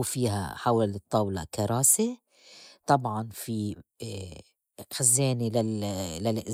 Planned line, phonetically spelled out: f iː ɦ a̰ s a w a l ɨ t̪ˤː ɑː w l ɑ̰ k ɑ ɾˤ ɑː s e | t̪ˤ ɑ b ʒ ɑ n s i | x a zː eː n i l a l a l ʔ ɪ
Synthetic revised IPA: f iː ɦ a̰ ħ a w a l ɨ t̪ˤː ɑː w l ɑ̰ k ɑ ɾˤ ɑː s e | t̪ˤ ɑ b ʕ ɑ n f i | x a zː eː n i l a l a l ʔ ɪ